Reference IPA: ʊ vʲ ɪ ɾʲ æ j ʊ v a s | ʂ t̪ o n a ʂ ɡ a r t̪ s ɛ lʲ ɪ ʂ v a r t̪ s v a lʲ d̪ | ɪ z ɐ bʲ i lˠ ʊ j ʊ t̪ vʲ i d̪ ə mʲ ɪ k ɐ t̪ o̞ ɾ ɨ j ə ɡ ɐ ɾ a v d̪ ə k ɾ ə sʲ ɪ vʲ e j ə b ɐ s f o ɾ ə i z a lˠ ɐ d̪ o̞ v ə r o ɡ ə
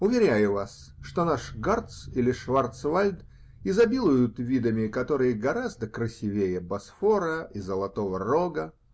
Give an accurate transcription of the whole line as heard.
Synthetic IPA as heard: ʊ vʲ ɪ ɾʲ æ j ʊ v a s | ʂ t̪ o n a ʂ ɡ a r t̪ s i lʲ ɪ ʂ v a r t̪ s v a lʲ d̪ | ɪ z ɐ bʲ i lˠ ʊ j ʊ t̪ vʲ i d̪ ə mʲ ɪ k ɐ t̪ o̞ ɾ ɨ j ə ɡ ɐ ɾ a z d̪ ə k ɾ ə sʲ ɪ vʲ e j ə b ɐ s f o ɾ ə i z ə lˠ ɐ t̪ o̞ v ə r o ɡ ə